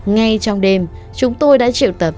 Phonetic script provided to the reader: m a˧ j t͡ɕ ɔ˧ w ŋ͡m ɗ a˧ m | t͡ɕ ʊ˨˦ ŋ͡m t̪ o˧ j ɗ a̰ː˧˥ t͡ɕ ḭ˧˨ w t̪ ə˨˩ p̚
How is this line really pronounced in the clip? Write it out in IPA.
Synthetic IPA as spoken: ŋ a˧ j t͡ɕ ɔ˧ w ŋ͡m ɗ e˧ m | t͡ɕ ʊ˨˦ ŋ͡m t̪ o˧ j ɗ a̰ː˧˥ t͡ɕ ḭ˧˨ w t̪ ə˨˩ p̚

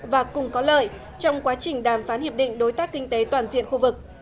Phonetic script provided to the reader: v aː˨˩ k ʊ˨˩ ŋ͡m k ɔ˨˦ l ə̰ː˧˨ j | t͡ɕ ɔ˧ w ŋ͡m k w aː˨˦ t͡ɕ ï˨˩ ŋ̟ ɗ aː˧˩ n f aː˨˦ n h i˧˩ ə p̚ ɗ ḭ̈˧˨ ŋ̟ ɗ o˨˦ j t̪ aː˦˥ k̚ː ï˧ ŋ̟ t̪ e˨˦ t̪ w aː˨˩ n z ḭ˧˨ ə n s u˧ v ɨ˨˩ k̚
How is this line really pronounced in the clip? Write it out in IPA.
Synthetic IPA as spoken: v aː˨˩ k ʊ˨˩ ŋ͡m k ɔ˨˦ l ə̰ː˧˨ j | t͡ɕ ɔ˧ w ŋ͡m k w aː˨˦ t͡ɕ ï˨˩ ŋ̟ ɗ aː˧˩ m f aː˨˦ n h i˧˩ ə p̚ ɗ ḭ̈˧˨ ŋ̟ ɗ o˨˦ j t̪ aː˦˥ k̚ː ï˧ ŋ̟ t̪ e˨˦ t̪ w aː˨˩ n z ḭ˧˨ ə n x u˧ v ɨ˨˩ k̚

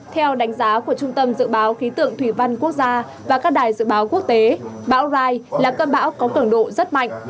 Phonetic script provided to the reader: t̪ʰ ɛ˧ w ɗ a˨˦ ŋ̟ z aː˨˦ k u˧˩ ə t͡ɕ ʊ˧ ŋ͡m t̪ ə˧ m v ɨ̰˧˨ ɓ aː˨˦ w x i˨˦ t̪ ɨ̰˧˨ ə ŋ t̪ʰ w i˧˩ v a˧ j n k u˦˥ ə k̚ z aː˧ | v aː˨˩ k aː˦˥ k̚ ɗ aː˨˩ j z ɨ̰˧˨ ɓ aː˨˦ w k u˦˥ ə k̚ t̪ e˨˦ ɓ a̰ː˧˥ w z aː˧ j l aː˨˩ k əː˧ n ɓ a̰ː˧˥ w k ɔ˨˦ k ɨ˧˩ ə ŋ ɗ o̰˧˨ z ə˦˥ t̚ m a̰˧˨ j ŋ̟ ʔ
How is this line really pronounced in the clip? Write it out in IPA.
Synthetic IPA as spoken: t̪ʰ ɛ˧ w ɗ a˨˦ ŋ̟ z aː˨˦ k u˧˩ ə t͡ɕ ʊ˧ ŋ͡m t̪ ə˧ m z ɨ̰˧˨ ɓ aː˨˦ w x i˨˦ t̪ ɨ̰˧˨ ə ŋ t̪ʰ w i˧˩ v a˧ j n k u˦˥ ə k̚ z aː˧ | v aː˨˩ k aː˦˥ k̚ ɗ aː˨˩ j z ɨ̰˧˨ ɓ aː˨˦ w k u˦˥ ə k̚ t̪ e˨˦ ɓ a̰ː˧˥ w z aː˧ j l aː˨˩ k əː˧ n ɓ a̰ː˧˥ w k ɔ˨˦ k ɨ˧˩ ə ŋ ɗ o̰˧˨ z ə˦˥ t̚ m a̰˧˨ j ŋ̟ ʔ

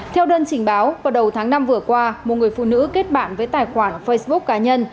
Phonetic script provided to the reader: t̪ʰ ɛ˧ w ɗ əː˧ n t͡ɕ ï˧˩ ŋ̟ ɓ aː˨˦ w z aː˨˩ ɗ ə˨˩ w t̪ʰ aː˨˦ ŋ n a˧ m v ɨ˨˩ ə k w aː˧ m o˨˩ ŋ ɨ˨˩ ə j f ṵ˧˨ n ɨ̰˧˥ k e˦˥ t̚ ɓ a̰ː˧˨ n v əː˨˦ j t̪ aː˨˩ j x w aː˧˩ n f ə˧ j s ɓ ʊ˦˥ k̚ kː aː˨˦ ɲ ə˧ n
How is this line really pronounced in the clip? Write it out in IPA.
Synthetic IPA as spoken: t̪ʰ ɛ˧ w ɗ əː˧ n t͡ɕ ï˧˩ ŋ̟ ɓ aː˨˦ w v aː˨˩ ɗ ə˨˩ w t̪ʰ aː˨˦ ŋ n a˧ m v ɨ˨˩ ə k w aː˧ m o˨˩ ŋ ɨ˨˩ ə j f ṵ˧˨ n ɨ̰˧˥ k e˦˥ t̚ ɓ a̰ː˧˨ n v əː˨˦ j t̪ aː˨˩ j x w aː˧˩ n f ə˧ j s ɓ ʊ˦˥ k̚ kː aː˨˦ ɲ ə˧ n

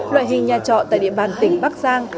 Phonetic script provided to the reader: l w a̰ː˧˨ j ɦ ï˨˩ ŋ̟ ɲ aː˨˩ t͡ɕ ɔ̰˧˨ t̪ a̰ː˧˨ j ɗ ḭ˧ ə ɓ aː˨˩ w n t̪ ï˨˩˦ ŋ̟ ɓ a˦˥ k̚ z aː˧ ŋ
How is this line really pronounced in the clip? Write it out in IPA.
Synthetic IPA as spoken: l w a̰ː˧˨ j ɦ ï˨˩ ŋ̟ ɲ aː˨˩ t͡ɕ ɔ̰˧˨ t̪ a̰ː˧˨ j ɗ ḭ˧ ə ɓ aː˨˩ n t̪ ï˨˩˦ ŋ̟ ɓ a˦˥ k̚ z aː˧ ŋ

